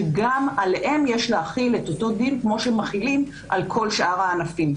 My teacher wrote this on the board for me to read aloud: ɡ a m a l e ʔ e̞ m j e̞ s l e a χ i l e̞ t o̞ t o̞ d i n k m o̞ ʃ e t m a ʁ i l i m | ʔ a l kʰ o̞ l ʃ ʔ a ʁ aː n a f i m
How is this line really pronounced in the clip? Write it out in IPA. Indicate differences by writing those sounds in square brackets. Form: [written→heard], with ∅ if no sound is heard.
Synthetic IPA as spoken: ɡ a m a l e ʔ e̞ m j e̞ [s→ʃ] l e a χ i l e̞ t o̞ t o̞ d i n k m o̞ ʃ e [t→∅] m a [ʁ→χ] i l i m | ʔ a l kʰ o̞ l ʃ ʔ a ʁ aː n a f i m